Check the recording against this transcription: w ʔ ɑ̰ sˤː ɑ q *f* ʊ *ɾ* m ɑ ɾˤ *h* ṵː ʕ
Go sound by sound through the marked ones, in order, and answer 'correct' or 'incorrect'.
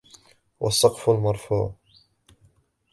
correct, incorrect, incorrect

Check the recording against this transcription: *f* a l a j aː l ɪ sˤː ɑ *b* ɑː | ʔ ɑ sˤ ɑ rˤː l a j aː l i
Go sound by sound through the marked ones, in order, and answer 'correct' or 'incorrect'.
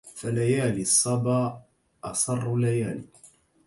correct, correct

